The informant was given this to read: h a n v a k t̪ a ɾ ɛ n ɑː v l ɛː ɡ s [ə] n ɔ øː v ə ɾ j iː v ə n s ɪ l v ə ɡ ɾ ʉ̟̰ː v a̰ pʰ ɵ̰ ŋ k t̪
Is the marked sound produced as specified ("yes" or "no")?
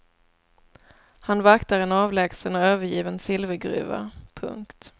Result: yes